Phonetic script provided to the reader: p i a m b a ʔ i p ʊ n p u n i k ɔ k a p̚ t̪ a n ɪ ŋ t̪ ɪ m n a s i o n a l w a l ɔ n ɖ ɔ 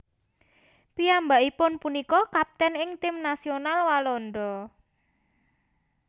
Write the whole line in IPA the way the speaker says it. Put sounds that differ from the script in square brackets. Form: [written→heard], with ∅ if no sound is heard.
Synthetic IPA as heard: p i a m b a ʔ i p ʊ n p u n i k ɔ k a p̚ t̪ [a→ɛ] n ɪ ŋ t̪ ɪ m n a s i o n a l w a l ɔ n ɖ ɔ